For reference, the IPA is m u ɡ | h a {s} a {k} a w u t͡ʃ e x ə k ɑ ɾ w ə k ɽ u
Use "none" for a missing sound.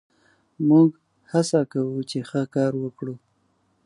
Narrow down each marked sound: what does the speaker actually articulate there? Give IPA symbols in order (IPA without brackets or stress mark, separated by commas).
s, k